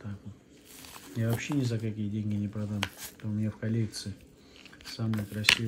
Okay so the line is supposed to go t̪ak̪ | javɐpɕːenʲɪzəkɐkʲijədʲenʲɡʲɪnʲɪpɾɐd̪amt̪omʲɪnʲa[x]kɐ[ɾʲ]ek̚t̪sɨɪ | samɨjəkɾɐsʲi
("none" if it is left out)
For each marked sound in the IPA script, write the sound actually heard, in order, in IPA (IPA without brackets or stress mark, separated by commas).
f, lʲ